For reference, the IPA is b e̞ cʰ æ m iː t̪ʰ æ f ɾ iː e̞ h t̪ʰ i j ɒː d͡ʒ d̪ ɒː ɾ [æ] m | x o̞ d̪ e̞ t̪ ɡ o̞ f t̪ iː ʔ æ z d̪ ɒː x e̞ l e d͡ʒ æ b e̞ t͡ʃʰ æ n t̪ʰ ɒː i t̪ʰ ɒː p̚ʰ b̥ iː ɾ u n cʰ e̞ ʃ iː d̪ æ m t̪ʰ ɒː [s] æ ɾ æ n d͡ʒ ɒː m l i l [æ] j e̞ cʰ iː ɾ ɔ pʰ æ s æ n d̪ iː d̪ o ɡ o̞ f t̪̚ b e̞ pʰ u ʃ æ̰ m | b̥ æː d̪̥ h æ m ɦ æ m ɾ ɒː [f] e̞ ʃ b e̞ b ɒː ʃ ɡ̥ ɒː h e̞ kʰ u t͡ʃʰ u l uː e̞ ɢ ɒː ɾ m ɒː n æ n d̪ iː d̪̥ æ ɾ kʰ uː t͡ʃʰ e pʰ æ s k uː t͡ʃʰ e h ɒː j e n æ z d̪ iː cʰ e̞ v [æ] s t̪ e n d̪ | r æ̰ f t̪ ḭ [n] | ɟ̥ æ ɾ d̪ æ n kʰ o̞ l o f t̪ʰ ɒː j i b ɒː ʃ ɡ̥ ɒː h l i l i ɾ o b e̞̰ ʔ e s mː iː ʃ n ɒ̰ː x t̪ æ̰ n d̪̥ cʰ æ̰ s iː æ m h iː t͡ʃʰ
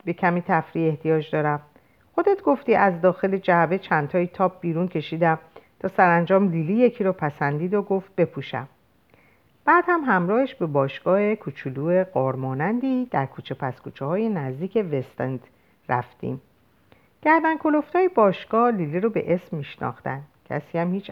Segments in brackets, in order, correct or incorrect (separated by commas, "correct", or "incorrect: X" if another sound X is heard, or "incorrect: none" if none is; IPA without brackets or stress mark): correct, correct, incorrect: i, incorrect: h, incorrect: e, incorrect: m